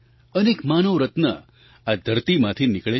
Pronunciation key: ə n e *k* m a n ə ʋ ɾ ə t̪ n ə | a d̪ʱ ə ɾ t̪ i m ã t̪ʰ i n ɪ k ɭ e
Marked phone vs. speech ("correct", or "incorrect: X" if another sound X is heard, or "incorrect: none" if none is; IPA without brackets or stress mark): correct